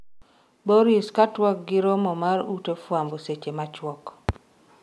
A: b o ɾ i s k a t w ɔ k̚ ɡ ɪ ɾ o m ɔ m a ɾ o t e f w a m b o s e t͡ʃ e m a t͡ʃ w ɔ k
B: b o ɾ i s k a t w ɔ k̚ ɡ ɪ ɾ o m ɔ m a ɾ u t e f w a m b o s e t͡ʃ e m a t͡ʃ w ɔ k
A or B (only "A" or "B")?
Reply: B